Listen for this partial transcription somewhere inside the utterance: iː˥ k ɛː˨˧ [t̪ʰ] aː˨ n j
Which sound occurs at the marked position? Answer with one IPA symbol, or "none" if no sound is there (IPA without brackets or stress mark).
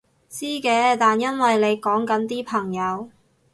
t̪